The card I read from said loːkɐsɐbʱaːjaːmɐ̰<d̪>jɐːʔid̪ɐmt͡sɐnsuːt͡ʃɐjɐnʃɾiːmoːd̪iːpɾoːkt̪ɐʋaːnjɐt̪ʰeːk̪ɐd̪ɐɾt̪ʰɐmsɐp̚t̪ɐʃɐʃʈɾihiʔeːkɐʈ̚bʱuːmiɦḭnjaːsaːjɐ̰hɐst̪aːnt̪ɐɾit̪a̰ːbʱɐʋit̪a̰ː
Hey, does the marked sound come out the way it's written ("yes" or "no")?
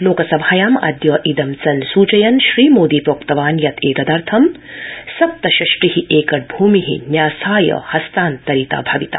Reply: yes